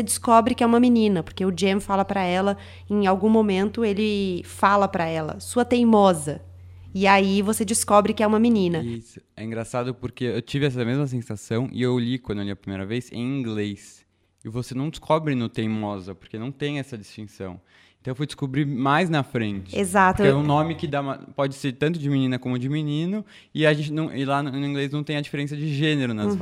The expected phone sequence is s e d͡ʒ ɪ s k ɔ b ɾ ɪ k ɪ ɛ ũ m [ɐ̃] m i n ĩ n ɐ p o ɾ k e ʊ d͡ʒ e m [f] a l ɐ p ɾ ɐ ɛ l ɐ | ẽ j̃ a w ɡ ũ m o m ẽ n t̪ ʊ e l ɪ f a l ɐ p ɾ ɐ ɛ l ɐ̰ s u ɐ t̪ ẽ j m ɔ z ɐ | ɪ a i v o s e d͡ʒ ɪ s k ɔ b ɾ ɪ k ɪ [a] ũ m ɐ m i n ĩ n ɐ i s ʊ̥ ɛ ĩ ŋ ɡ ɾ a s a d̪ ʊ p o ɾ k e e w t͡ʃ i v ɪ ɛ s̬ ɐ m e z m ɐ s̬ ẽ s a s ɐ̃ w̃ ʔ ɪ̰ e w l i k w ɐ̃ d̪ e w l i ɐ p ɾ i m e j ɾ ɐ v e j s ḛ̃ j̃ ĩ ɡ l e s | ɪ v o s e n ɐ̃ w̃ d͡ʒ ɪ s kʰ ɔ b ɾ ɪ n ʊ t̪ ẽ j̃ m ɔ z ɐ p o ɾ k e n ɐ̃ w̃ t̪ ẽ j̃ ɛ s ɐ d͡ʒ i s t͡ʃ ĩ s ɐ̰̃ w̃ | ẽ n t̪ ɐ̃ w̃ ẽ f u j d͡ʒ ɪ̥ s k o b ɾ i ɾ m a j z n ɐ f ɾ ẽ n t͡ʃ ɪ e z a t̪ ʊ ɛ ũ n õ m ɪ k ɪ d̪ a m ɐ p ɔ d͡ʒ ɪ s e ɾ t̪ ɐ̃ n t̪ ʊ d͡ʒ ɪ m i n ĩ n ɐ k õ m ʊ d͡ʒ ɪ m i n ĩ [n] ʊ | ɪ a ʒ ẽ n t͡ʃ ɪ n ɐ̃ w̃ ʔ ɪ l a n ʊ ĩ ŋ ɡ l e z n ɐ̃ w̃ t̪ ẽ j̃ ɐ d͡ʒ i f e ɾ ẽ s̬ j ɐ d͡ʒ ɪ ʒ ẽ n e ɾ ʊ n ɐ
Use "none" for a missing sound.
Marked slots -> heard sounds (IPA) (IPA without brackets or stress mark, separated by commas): ɐ, f, ɛ, n